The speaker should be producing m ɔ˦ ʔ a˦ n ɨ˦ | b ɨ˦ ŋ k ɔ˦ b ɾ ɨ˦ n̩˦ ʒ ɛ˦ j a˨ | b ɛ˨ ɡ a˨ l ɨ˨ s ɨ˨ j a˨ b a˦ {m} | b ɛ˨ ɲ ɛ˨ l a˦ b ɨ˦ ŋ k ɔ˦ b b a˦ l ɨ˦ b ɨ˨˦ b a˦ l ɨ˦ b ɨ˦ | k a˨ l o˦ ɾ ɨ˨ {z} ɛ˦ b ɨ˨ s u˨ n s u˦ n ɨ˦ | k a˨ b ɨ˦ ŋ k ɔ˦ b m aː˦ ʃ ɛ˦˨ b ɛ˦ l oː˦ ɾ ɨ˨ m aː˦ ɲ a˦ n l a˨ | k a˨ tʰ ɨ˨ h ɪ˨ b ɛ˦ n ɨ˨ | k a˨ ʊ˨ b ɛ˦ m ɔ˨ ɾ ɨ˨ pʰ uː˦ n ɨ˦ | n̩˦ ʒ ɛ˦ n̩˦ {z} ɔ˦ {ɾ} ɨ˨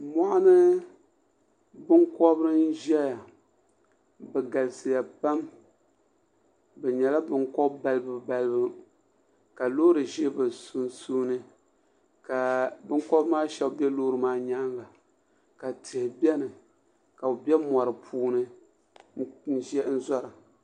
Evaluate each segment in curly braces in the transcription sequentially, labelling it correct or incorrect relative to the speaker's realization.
correct, incorrect: ʒ, correct, correct

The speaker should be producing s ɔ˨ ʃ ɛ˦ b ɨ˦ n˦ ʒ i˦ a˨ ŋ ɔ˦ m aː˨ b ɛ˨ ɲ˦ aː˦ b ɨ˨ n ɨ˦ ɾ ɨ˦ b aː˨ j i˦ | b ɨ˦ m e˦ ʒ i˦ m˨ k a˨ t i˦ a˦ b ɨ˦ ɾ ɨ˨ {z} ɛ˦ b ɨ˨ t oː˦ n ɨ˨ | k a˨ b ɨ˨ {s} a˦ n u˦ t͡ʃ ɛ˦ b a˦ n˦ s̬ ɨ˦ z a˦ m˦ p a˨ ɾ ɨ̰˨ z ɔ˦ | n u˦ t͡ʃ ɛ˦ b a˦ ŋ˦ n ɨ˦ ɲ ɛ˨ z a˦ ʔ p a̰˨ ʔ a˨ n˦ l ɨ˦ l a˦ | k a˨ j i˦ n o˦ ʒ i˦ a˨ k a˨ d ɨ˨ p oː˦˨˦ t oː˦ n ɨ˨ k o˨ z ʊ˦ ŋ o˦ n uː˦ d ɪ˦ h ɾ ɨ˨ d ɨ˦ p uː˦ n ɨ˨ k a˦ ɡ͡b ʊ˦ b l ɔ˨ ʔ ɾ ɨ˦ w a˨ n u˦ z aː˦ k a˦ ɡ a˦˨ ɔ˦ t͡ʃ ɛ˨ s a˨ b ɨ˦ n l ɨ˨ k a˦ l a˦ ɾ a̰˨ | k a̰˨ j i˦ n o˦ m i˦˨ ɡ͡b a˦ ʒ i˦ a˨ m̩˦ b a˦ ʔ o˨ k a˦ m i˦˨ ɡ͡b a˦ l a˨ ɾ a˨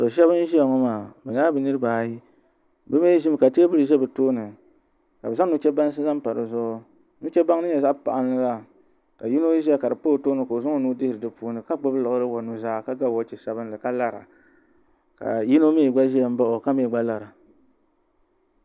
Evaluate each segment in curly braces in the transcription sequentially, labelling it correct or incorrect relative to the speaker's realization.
incorrect: ʒ, incorrect: z

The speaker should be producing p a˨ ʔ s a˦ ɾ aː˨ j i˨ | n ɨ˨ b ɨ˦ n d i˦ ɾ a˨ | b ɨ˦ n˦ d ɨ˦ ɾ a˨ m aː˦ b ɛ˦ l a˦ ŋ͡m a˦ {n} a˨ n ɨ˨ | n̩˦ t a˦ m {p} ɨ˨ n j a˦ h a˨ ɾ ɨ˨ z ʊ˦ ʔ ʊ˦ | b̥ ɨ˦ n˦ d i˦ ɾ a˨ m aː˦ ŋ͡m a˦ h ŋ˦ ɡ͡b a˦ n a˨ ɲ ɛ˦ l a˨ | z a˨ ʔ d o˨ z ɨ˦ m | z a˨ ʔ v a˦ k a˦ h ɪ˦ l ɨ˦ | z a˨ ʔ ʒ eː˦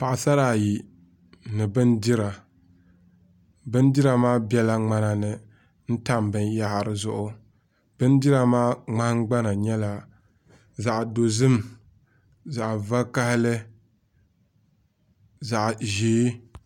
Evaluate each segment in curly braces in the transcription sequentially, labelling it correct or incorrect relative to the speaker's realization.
correct, incorrect: b

